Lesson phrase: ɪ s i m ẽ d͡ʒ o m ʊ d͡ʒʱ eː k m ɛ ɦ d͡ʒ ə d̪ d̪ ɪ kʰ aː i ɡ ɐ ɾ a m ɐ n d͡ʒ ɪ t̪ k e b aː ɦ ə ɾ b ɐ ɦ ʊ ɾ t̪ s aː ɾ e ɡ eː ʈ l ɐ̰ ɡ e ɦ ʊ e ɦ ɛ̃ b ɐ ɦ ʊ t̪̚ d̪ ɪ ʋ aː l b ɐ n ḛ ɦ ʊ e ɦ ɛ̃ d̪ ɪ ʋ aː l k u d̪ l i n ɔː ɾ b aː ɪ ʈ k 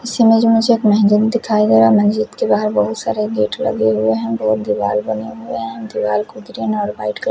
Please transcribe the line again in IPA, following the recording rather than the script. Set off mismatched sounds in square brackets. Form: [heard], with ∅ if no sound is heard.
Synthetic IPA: ɪ s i m ẽ d͡ʒ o m ʊ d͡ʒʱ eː k m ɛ ɦ d͡ʒ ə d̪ d̪ ɪ kʰ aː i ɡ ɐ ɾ a m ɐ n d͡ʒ ɪ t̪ k e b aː ɦ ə ɾ b ɐ ɦ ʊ [∅] t̪ s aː ɾ e ɡ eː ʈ l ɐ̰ ɡ e ɦ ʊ e ɦ ɛ̃ b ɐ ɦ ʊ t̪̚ d̪ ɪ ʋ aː l b ɐ n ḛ ɦ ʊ e ɦ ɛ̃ d̪ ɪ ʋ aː l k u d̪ [ɾ] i n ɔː ɾ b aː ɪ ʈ k

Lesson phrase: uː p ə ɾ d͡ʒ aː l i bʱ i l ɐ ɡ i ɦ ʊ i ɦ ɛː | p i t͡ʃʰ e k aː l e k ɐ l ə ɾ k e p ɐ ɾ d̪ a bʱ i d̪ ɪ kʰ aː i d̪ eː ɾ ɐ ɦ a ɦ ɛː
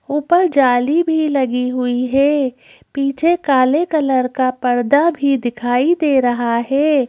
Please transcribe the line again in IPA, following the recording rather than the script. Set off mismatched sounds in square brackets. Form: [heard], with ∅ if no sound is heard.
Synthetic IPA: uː p ə ɾ d͡ʒ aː l i bʱ i l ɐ ɡ i ɦ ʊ i ɦ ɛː | p [iː] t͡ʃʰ e k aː l e k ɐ l ə ɾ k [a] p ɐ ɾ d̪ a bʱ i d̪ ɪ kʰ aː i d̪ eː ɾ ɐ ɦ a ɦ ɛː

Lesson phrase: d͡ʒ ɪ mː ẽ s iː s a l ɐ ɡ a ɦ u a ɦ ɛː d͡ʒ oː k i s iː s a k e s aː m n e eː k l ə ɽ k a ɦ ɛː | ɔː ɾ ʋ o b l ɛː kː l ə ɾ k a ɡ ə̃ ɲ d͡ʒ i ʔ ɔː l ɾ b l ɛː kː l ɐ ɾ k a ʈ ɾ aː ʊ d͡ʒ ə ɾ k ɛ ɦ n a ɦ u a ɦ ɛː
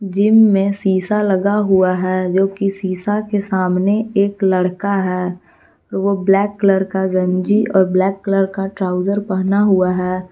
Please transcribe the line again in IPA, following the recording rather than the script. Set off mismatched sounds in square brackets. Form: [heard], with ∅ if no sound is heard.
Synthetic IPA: d͡ʒ ɪ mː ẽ s iː s a l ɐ ɡ a ɦ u a ɦ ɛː d͡ʒ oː k i s iː s a k e s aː m n e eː k l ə ɽ k a ɦ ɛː | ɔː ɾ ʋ o b l ɛː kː l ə ɾ k a ɡ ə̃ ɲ d͡ʒ i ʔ ɔː [∅] ɾ b l ɛː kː l [ə] ɾ k a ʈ ɾ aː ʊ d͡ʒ ə ɾ [p] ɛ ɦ n a ɦ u a ɦ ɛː

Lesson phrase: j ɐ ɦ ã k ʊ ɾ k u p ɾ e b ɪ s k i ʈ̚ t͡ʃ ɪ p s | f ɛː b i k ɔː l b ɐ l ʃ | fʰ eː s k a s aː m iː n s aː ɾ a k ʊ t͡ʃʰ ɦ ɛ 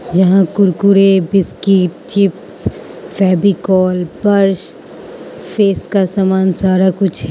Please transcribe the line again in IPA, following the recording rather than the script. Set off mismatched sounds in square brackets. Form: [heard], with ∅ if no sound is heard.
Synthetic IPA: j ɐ ɦ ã k ʊ ɾ k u [∅] ɾ e b ɪ s k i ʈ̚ t͡ʃ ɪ p s | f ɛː b i k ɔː l b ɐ [ɾ] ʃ | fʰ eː s k a s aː m [aː] n s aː ɾ a k ʊ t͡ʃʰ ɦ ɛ

